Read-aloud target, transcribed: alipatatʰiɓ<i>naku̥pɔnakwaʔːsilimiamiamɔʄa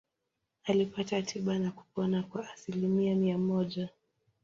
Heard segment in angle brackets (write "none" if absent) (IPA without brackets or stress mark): a